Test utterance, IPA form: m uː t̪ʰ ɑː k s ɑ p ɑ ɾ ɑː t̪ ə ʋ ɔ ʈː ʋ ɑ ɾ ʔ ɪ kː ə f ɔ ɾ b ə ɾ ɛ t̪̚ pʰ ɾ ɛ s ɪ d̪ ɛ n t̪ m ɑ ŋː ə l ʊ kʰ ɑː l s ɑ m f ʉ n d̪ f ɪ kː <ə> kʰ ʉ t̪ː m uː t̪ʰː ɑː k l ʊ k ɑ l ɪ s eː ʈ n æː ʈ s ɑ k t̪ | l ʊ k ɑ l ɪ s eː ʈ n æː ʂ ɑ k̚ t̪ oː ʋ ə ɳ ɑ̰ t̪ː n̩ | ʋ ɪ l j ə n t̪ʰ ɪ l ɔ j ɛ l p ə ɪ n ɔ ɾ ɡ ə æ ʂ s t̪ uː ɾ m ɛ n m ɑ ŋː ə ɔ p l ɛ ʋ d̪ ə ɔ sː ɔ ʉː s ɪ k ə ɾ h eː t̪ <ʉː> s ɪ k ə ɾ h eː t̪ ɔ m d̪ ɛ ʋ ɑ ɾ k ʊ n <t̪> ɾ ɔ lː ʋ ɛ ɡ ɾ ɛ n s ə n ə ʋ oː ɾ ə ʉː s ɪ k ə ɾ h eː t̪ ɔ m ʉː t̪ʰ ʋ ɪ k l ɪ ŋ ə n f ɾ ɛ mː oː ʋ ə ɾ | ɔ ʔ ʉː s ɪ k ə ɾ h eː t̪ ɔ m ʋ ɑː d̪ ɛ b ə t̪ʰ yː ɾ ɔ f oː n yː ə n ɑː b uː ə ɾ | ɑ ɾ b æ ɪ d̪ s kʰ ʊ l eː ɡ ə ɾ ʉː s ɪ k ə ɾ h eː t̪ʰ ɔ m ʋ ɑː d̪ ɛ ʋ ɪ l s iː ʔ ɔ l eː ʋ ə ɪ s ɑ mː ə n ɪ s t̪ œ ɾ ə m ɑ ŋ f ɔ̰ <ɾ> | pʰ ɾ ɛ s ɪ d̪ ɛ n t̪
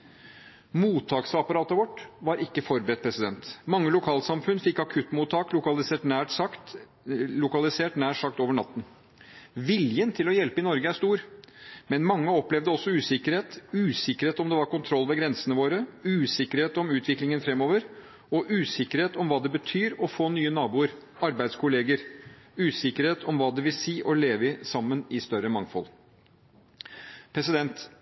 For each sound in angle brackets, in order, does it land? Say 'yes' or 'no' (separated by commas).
no, yes, no, no